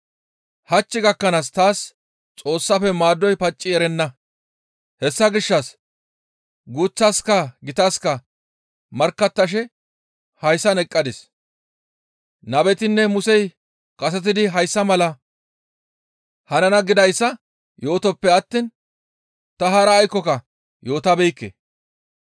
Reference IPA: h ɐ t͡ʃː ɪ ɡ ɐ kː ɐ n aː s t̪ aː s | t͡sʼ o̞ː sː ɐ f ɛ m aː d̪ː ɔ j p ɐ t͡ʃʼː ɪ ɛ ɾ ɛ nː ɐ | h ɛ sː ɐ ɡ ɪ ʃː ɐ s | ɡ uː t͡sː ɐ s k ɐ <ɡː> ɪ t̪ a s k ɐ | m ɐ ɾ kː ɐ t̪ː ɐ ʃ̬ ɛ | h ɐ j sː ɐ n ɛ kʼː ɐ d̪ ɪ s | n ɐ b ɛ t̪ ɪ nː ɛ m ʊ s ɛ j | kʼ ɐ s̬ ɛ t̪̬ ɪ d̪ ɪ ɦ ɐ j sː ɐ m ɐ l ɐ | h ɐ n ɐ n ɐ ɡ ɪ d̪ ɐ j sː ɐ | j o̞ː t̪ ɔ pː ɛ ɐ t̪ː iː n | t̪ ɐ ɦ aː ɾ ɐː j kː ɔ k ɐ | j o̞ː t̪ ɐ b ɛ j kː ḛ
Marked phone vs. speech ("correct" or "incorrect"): incorrect